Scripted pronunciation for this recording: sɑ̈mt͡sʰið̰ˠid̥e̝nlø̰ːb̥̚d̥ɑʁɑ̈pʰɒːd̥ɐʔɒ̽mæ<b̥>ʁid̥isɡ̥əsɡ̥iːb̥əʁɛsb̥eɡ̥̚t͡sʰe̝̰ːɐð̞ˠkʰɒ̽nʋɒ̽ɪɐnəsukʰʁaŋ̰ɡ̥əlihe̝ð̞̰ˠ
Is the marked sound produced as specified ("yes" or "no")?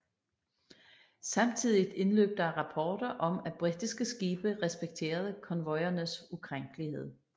yes